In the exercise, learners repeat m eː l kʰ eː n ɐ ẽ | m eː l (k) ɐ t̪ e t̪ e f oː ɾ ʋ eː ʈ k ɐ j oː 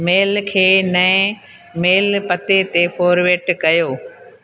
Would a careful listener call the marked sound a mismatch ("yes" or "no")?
yes